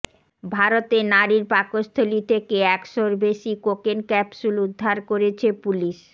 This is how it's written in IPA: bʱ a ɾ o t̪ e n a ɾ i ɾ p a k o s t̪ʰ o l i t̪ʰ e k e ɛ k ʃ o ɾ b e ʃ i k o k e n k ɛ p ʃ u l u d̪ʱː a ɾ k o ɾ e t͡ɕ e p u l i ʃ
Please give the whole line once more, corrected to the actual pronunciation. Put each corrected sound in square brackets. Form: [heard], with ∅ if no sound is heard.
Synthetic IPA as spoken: bʱ a ɾ o t̪ e n a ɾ i ɾ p a k o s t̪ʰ o l i t̪ʰ e k e ɛ k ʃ o ɾ b e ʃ i k o k e n k ɛ p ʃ u l u d̪ʱː a ɾ k o ɾ e [t͡ɕʰ] e p u l i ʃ